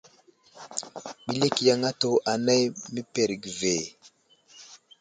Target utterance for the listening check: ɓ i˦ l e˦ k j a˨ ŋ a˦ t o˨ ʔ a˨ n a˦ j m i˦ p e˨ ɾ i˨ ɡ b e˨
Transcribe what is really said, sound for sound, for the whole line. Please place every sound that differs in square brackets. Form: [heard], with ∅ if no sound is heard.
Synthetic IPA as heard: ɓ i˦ l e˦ k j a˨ ŋ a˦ t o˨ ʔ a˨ n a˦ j m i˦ p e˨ ɾ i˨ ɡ [v] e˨